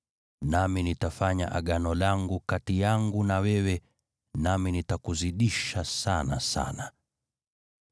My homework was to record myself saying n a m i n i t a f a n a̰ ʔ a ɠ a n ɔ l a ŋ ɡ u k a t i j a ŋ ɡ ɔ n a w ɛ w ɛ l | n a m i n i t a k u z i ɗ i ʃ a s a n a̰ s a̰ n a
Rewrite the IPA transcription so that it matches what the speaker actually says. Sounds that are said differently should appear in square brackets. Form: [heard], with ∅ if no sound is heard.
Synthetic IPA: n a m i n i t a f a [ɲ] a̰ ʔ a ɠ a n ɔ l a ŋ ɡ u k a t i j a ŋ ɡ [u] n a w ɛ w ɛ [∅] | n a m i n i t a k u z i ɗ i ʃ a s a n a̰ s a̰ n a